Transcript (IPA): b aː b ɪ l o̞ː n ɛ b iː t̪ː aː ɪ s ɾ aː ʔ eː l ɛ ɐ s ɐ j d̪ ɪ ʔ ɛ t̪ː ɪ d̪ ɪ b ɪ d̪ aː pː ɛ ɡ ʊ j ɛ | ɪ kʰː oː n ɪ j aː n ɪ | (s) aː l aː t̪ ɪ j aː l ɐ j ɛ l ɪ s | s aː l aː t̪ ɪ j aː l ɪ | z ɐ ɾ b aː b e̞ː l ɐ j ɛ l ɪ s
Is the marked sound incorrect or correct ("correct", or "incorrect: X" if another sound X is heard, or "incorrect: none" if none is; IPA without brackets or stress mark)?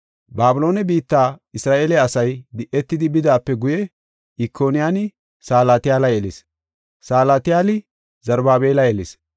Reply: correct